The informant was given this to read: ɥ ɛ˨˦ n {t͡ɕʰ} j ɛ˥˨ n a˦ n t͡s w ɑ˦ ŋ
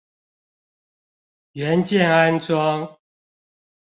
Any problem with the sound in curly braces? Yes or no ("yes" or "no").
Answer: yes